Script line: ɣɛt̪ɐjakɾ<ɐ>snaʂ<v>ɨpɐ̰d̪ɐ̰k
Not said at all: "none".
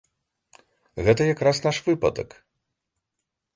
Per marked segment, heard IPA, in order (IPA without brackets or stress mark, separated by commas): a, v